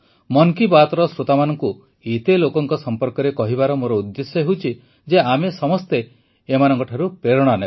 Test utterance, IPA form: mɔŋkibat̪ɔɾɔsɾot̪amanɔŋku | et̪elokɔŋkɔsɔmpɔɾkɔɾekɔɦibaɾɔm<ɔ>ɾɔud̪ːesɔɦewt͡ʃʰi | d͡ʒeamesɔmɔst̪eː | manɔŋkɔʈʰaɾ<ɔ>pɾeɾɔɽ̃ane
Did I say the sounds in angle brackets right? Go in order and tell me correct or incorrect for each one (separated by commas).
incorrect, incorrect